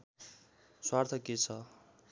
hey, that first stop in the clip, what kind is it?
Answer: aspirated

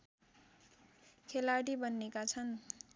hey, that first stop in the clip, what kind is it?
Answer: aspirated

